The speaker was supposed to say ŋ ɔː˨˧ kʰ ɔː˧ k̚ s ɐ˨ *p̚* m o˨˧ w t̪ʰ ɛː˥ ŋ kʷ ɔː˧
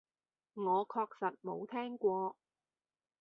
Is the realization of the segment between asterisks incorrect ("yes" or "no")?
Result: yes